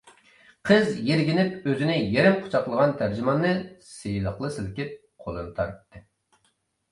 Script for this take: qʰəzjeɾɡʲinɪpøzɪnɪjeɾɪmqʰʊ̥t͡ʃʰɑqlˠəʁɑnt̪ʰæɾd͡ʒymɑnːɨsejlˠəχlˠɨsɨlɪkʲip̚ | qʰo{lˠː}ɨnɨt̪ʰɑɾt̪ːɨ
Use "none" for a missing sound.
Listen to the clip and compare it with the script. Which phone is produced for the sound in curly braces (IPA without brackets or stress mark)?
lˠ